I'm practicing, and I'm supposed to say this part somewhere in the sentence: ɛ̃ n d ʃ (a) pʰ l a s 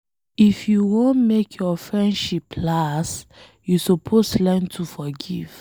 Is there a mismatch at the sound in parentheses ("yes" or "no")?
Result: yes